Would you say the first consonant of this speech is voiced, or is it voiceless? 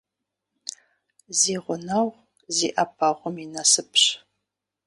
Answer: voiced